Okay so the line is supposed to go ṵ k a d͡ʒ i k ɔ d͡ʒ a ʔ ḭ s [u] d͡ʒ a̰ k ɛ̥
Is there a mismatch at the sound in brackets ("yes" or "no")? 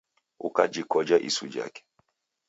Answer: no